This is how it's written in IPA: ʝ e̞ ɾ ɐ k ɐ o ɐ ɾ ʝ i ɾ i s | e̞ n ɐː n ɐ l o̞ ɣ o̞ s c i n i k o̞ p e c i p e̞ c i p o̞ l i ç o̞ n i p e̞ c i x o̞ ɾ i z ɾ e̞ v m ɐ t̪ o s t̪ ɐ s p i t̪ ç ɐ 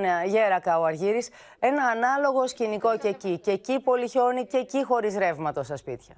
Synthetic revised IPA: ʝ e̞ ɾ ɐ k ɐ o ɐ ɾ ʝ i ɾ i s | e̞ n ɐː n ɐ l o̞ ɣ o̞ s c i n i k o̞ c e c i c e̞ c i p o̞ l i ç o̞ n i c e̞ c i x o̞ ɾ i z ɾ e̞ v m ɐ t̪ o s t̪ ɐ s p i t̪ ç ɐ